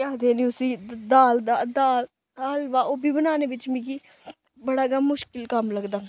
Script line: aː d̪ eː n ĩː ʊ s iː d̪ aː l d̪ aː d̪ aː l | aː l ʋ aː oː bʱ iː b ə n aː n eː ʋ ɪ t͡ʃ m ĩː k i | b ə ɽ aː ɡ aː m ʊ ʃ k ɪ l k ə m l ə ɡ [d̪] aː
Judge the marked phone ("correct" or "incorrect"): correct